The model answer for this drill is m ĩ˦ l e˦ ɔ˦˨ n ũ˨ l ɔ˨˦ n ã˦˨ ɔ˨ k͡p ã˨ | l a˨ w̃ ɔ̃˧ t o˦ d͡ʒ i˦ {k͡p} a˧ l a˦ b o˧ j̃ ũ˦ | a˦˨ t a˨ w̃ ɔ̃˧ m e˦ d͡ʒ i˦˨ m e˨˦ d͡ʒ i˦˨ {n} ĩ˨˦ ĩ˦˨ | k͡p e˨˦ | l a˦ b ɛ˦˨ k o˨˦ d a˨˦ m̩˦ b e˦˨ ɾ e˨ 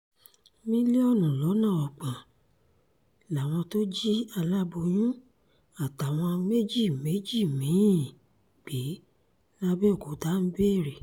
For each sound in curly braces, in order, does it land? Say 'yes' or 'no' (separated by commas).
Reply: no, no